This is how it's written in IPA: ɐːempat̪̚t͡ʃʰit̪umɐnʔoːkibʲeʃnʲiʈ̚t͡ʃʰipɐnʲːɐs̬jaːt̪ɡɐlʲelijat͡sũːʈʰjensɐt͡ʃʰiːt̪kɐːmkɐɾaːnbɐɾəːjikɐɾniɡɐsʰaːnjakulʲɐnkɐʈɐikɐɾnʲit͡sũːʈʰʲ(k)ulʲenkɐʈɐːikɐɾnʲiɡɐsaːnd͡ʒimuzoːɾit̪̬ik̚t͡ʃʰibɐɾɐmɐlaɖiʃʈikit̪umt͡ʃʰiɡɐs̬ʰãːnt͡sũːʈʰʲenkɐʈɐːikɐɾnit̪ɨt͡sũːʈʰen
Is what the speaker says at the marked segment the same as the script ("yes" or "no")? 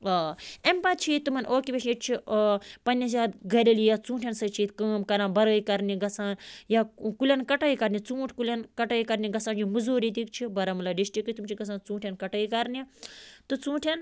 yes